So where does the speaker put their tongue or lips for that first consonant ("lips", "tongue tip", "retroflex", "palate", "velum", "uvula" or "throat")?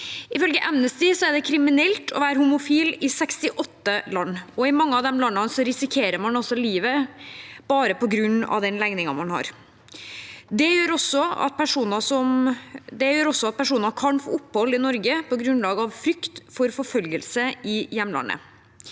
lips